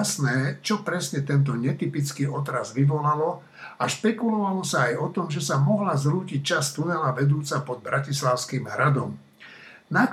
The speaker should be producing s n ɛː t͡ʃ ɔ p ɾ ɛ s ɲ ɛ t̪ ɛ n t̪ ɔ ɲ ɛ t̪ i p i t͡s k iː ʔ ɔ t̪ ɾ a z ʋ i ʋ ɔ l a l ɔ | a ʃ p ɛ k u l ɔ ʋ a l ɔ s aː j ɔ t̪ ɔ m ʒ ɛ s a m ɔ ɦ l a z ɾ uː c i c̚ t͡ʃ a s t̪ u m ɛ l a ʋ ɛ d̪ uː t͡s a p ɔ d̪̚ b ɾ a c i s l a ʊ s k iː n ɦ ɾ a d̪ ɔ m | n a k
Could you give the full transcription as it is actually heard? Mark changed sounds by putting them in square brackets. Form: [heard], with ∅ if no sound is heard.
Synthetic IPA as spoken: s n ɛː t͡ʃ ɔ p ɾ ɛ s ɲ ɛ t̪ ɛ n t̪ ɔ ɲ ɛ t̪ i p i t͡s k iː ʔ ɔ t̪ ɾ a z ʋ i ʋ ɔ l a l ɔ | a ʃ p ɛ k u l ɔ ʋ a l ɔ s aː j ɔ t̪ ɔ m ʒ ɛ s a m ɔ ɦ l a z ɾ uː c i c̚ t͡ʃ a s t̪ u [n] ɛ l a ʋ ɛ d̪ uː t͡s a p ɔ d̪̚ b ɾ a c i s l a ʊ s k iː [m] ɦ ɾ a d̪ ɔ m | n a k